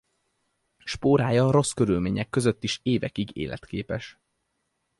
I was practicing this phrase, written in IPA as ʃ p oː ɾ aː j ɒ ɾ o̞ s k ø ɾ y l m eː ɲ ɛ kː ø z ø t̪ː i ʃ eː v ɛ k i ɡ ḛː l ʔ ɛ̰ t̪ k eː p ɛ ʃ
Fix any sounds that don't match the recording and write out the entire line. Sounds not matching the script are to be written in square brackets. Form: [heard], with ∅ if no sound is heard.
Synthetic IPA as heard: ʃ p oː ɾ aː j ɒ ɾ o̞ s k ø ɾ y l m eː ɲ ɛ kː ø z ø t̪ː i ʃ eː v ɛ k i ɡ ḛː l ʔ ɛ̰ t̪ k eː p ɛ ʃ